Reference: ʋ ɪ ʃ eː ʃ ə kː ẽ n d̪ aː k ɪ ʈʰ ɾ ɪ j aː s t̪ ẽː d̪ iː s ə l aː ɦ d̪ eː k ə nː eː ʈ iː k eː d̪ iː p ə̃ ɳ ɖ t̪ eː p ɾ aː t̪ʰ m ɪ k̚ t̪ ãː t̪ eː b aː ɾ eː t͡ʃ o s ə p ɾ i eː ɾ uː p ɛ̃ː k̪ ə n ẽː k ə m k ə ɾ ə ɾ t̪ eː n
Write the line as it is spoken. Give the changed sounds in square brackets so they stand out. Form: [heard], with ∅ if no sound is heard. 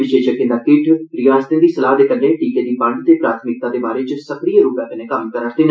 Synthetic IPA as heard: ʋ ɪ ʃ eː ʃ ə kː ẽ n d̪ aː k ɪ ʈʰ ɾ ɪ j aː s t̪ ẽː d̪ iː s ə l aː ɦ d̪ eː k ə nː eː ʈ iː k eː d̪ iː p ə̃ ɳ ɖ t̪ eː p ɾ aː t̪ʰ m ɪ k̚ t̪ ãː [d̪] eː b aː ɾ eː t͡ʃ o s ə [k] ɾ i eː ɾ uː p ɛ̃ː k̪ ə n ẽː k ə m k ə ɾ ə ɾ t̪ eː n